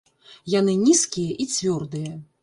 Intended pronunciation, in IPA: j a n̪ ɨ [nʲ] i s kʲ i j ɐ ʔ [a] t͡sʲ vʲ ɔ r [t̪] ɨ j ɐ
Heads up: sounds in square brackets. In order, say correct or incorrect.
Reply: correct, incorrect, incorrect

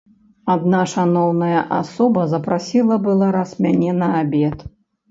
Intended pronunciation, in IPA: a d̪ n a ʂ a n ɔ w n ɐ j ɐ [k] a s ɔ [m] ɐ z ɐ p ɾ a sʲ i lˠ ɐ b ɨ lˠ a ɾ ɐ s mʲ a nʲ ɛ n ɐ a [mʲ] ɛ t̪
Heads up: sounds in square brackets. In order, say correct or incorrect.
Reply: incorrect, incorrect, incorrect

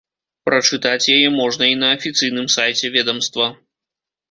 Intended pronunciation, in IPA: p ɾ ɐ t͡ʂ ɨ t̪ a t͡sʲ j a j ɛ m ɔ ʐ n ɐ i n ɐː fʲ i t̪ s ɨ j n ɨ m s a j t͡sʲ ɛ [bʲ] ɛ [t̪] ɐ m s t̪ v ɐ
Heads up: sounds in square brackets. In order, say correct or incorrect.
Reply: incorrect, incorrect

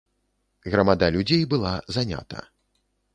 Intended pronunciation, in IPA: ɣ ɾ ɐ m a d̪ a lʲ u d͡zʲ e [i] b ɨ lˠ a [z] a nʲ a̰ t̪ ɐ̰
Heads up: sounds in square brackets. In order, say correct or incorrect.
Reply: incorrect, correct

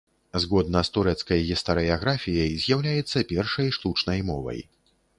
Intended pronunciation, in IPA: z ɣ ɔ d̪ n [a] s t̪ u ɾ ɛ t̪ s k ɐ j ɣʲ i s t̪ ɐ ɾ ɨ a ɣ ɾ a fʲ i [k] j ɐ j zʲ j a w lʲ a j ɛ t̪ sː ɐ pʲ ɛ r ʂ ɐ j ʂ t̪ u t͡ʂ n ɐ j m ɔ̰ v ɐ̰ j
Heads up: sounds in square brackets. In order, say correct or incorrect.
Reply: incorrect, incorrect

